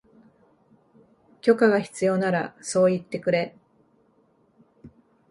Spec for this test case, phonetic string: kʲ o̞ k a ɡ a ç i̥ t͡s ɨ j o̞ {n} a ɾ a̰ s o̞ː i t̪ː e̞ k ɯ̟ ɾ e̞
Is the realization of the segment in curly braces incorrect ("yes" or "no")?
no